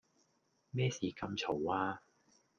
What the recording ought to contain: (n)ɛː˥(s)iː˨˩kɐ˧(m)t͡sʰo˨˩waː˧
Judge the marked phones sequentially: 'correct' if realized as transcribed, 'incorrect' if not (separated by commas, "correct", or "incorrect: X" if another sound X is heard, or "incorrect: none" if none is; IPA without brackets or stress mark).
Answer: incorrect: m, correct, correct